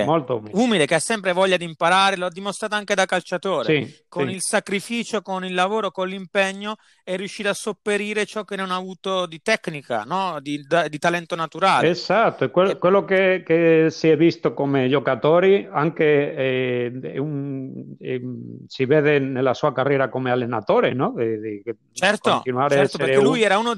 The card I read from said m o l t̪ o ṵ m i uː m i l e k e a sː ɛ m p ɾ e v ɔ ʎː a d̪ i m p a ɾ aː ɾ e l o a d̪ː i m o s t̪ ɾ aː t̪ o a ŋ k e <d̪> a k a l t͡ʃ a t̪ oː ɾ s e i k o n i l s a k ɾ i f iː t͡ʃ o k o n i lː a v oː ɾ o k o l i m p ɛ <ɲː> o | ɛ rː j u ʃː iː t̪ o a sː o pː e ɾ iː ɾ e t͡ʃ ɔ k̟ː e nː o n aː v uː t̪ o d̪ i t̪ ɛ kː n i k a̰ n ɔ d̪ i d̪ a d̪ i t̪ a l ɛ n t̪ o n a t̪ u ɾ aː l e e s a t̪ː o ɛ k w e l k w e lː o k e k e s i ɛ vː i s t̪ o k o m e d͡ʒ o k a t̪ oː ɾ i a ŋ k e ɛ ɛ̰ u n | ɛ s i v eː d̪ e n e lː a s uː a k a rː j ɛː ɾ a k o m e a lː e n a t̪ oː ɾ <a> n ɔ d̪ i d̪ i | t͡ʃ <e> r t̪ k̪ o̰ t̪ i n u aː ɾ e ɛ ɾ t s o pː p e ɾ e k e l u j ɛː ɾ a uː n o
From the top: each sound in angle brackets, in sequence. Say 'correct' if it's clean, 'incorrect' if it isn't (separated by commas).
correct, correct, incorrect, incorrect